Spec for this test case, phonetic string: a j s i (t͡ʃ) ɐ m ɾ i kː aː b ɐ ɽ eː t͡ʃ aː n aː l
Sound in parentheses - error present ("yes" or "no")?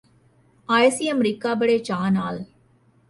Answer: yes